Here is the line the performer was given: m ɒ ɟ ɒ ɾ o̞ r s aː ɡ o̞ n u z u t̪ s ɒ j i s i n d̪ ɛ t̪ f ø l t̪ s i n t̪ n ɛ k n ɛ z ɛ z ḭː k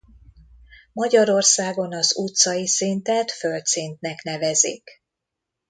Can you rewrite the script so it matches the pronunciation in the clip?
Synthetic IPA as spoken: m ɒ ɟ ɒ ɾ o̞ r s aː ɡ o̞ n ɒ z u t̪ s ɒ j i s i n t̪ ɛ t̪ f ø l t̪ s i n t̪ n ɛ k n ɛ v ɛ z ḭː k